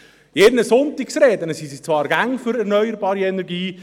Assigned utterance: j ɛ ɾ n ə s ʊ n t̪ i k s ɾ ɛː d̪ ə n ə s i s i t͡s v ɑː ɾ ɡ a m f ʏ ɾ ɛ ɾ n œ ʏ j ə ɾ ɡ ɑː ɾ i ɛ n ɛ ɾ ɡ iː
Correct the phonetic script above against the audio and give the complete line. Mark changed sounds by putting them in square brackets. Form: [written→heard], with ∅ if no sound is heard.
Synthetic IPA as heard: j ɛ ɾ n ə s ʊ n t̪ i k s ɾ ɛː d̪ ə n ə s i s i t͡s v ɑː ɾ ɡ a [m→ŋ] f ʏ ɾ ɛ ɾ n œ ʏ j ə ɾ [ɡ→b] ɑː ɾ i ɛ n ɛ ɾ ɡ iː